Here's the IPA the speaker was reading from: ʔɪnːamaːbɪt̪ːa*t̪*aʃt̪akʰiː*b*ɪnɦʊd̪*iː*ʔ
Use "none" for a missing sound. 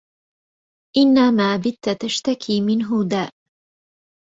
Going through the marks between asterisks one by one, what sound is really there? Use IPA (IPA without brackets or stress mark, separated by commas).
t̪, m, aː